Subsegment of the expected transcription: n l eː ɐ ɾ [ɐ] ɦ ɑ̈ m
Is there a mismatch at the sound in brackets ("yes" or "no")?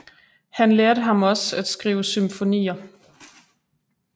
yes